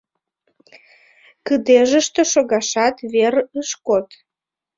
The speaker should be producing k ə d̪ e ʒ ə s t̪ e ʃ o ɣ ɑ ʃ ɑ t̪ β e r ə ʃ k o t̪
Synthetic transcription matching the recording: k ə d̪ e ʒ ə ʃ t̪ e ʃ o ɣ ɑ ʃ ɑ t̪ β e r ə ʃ k o t̪